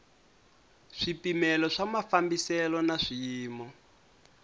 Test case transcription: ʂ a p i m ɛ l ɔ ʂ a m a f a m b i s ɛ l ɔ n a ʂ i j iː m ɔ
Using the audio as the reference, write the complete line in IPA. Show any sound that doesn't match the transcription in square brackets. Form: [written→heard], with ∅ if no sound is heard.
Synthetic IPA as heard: ʂ [a→i] p i m ɛ l ɔ ʂ a m a f a m b i s ɛ l ɔ n a ʂ i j iː m ɔ